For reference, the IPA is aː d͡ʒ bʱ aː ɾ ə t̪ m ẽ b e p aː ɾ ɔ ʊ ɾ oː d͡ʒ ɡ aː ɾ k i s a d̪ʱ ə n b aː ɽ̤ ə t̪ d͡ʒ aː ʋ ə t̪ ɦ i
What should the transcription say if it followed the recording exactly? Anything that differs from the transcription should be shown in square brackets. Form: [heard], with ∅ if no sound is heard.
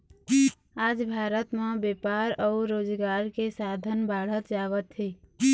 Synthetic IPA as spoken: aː d͡ʒ bʱ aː ɾ ə t̪ m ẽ b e p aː ɾ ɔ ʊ ɾ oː d͡ʒ ɡ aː ɾ k [e] s a d̪ʱ ə n b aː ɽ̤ ə t̪ d͡ʒ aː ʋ ə t̪ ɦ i